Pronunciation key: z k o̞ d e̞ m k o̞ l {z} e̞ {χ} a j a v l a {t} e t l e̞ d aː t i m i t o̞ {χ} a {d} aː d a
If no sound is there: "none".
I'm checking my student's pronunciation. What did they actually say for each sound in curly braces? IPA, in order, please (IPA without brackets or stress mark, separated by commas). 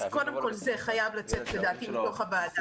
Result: z, χ, t͡s, χ, b